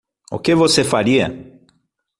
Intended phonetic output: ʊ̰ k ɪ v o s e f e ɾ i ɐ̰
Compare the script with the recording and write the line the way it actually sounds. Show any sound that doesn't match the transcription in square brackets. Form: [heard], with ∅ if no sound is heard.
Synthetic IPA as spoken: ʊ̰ k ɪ v o s e f [a] ɾ i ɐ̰

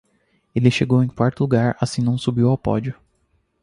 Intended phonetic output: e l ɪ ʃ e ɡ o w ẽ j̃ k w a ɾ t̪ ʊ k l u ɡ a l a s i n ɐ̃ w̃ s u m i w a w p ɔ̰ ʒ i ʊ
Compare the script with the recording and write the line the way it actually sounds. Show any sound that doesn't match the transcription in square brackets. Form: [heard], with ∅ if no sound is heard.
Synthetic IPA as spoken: e l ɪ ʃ e ɡ o w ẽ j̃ k w a ɾ t̪ ʊ [∅] l u ɡ a [ɾ] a s [ĩ] n ɐ̃ w̃ s u [b] i w a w p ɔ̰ [d͡ʒ] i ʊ

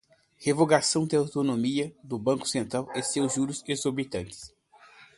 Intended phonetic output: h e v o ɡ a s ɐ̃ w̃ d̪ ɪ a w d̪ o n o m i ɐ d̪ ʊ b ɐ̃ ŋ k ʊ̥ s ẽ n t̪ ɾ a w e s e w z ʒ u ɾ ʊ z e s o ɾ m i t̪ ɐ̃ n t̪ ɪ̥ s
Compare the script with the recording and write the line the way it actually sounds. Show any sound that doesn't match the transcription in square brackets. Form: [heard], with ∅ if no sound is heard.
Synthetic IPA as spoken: h e v o ɡ a s ɐ̃ w̃ d̪ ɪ a w [t̪] o n o m i ɐ d̪ ʊ b ɐ̃ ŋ k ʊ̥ s ẽ n t̪ ɾ a w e s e w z ʒ u ɾ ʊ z e [z] o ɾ [b] i t̪ ɐ̃ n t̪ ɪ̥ s

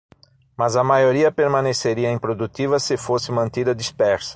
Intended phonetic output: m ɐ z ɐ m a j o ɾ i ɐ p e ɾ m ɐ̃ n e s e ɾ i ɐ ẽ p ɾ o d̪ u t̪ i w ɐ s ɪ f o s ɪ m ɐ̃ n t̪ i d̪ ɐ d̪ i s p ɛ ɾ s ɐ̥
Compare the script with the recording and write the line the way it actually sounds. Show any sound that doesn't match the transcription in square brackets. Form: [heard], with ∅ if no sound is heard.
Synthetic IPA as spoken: m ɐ z ɐ m a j o ɾ i ɐ p e ɾ m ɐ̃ n e s e ɾ i ɐ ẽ p ɾ o d̪ u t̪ i [v] ɐ s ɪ f o s ɪ m ɐ̃ n t̪ i d̪ ɐ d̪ i s p ɛ ɾ s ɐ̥

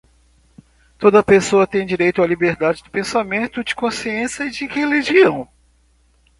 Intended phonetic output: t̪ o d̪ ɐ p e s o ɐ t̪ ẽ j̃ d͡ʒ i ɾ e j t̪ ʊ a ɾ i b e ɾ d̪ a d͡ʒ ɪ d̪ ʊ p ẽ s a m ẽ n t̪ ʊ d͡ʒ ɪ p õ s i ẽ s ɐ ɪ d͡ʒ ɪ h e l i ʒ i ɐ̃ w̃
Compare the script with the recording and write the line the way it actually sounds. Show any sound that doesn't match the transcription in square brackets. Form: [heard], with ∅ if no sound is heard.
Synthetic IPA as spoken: t̪ o d̪ ɐ p e s o ɐ t̪ ẽ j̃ d͡ʒ i ɾ e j t̪ ʊ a [l] i b e ɾ d̪ a d͡ʒ ɪ d̪ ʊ p ẽ s a m ẽ n t̪ ʊ d͡ʒ ɪ [k] õ s i ẽ s ɐ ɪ d͡ʒ ɪ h e l i ʒ i ɐ̃ w̃

